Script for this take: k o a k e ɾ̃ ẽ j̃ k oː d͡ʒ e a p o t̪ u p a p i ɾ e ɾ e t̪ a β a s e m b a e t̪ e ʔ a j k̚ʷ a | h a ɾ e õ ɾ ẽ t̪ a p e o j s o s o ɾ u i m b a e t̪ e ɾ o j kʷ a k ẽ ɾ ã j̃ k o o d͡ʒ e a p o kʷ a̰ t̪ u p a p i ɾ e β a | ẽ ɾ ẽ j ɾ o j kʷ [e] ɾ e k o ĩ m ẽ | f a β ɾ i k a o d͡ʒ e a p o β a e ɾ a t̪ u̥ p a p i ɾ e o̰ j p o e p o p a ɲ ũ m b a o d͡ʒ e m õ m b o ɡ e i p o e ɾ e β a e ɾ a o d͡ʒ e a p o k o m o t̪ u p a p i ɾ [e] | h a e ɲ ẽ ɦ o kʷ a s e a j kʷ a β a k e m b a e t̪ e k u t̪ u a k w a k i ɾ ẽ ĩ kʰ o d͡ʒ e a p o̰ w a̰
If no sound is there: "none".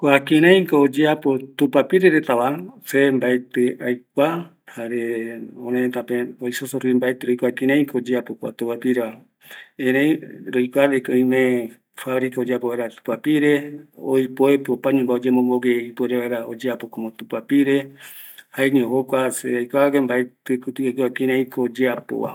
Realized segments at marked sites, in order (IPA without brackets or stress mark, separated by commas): a, e